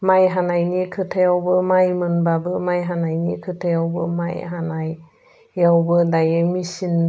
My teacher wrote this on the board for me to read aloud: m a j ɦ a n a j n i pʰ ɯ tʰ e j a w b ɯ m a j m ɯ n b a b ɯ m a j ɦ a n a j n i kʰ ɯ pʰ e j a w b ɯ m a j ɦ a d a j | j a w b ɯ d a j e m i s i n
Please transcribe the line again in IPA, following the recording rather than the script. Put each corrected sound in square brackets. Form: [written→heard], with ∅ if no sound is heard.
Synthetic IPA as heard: m a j ɦ a n a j n i [pʰ→kʰ] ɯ tʰ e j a w b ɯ m a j m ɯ n b a b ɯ m a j ɦ a n a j n i kʰ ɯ [pʰ→tʰ] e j a w b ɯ m a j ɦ a [d→n] a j | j a w b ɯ d a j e m i s i n